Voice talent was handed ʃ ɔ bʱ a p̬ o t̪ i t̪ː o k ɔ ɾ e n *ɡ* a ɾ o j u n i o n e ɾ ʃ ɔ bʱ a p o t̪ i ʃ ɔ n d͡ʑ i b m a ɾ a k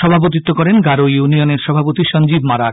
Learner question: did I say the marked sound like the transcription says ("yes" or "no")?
yes